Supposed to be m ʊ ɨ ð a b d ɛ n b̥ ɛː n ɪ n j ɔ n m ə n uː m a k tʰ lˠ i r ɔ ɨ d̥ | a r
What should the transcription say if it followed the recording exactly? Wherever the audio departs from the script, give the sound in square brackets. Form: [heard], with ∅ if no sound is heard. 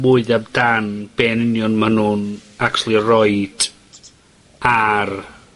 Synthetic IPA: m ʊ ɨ ð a b d [a] n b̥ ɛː n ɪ n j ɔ n m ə n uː [n] a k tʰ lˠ i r ɔ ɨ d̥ | a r